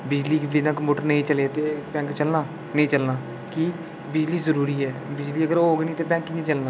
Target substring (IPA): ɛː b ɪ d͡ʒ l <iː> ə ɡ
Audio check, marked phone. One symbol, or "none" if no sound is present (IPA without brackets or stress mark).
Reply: iː